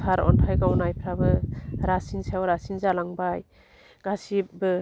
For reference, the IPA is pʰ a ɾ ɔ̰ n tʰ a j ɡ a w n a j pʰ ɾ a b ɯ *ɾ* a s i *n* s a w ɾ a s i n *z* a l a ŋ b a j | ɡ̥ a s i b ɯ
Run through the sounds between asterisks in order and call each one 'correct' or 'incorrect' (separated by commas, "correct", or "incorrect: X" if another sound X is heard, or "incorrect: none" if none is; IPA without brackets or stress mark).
correct, correct, correct